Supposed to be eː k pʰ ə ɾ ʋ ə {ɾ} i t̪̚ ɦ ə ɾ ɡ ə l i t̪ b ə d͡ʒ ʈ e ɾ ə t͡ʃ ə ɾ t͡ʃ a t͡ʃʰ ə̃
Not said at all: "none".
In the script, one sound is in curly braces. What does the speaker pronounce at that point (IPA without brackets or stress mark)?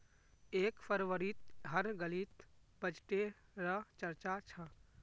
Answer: ɾ